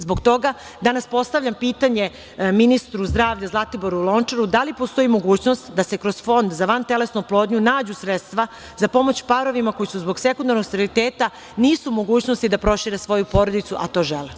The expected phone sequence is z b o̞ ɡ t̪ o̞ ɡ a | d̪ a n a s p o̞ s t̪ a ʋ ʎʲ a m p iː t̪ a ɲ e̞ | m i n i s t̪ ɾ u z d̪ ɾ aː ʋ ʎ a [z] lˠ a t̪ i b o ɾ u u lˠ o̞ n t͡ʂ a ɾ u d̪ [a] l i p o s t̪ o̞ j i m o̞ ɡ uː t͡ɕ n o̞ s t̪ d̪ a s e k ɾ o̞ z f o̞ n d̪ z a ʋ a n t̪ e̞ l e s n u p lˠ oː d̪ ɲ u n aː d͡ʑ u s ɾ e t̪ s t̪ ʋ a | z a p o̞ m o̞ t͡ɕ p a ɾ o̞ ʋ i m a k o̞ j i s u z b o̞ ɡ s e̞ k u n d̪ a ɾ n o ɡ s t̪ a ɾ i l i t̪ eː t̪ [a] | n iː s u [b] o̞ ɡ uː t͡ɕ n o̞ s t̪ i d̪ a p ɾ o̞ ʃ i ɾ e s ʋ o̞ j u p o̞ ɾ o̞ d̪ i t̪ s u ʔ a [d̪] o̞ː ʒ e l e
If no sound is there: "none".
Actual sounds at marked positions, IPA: z, a, a, m, t̪

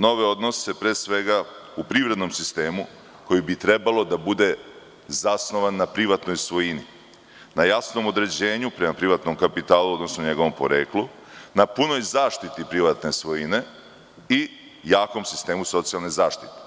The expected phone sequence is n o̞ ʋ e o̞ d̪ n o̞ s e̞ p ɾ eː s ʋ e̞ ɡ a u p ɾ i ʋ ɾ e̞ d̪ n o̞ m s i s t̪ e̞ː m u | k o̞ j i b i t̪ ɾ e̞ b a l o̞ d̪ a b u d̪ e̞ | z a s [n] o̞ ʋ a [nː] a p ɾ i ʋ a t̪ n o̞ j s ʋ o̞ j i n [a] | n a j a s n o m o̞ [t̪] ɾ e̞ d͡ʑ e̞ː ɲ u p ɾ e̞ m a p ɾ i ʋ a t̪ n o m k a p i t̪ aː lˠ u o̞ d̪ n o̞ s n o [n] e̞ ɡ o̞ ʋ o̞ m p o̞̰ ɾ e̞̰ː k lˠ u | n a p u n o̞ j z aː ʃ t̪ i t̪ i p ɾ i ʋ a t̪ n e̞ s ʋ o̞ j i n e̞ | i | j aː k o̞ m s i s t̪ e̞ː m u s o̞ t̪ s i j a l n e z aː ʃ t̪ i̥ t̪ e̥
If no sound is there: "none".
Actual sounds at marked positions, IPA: n, nː, i, d̪, ɲ

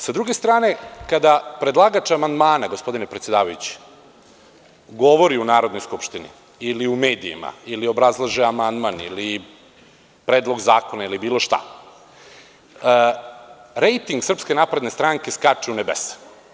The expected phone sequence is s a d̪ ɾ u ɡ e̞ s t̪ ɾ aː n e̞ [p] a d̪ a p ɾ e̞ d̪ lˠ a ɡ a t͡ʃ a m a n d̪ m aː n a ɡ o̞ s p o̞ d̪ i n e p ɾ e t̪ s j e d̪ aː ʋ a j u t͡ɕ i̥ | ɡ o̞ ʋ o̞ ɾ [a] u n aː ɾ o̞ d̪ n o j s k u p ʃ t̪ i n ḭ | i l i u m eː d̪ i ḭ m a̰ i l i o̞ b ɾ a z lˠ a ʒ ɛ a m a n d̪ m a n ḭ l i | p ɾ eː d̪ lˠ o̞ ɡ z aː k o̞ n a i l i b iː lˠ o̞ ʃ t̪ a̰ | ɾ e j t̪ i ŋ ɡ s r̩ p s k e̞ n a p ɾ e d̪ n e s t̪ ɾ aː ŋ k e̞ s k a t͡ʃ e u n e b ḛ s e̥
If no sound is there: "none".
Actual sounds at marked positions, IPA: k, i

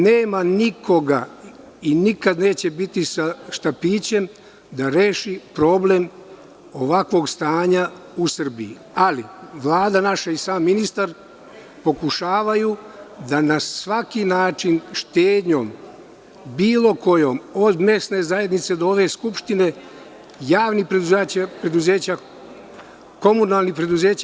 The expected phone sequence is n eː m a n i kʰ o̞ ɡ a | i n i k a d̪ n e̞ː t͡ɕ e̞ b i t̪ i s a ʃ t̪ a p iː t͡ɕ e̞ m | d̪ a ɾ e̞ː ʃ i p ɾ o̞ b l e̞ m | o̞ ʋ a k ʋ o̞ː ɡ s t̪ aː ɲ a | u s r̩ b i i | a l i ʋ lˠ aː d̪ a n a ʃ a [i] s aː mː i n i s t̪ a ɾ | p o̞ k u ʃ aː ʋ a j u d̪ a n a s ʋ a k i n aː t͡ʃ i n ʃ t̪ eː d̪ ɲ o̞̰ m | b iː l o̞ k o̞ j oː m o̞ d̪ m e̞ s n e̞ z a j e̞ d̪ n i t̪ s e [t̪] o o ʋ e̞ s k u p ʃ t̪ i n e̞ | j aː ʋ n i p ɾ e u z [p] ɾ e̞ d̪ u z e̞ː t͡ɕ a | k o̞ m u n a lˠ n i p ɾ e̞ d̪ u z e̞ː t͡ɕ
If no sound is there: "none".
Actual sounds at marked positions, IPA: i, d̪, p

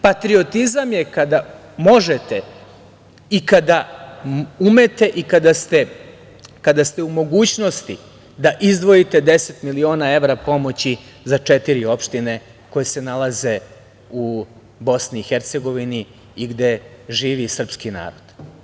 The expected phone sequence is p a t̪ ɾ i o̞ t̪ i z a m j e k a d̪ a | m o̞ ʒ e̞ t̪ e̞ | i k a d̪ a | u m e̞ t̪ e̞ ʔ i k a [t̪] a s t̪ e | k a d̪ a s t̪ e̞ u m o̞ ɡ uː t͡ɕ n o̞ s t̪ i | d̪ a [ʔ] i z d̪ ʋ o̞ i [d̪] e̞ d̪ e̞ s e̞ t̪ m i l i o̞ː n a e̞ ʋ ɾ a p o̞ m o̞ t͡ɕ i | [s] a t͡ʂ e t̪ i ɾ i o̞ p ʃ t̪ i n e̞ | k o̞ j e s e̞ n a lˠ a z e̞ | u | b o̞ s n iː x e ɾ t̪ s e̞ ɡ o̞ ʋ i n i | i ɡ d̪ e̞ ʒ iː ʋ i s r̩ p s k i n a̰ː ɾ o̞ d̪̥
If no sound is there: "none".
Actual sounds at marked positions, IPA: d̪, ʔ, t̪, z

